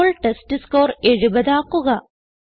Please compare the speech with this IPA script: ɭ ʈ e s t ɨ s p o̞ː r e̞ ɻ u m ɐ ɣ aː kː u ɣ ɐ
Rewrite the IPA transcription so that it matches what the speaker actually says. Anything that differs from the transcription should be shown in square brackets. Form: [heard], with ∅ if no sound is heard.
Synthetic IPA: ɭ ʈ e s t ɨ s [k] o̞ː r e̞ ɻ u [b] ɐ [ð] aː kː u ɣ ɐ